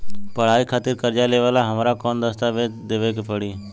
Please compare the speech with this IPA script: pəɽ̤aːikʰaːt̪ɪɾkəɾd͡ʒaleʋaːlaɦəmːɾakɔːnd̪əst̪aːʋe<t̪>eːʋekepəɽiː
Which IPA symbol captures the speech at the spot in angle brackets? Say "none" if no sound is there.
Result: d̪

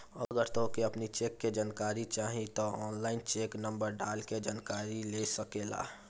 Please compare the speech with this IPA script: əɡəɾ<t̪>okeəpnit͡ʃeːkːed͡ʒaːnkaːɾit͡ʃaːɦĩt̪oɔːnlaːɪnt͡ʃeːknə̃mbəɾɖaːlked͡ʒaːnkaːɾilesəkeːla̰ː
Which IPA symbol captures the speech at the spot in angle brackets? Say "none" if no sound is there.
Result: t̪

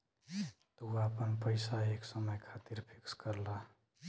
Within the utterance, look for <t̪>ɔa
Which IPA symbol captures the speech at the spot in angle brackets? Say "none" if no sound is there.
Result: t̪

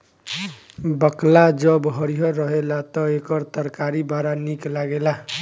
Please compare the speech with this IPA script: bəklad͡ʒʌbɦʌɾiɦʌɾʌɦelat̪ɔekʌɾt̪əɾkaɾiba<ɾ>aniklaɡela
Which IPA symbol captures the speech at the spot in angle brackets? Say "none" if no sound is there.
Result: ɾ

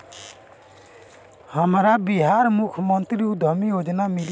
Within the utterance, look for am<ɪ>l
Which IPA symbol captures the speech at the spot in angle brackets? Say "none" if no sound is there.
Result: i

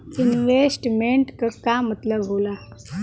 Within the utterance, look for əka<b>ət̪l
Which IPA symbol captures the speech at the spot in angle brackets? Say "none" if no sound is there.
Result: m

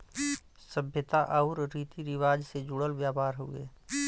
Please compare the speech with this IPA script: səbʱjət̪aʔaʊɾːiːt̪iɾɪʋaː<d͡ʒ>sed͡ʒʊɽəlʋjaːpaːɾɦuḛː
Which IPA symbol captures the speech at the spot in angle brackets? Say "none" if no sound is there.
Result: d͡ʒ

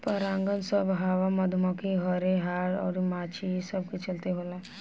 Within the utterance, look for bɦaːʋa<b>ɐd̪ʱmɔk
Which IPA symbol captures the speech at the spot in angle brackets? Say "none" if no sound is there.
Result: m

